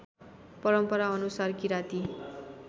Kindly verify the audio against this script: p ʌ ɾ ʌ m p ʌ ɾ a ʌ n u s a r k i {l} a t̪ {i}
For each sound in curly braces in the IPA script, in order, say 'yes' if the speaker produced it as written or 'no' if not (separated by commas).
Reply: no, yes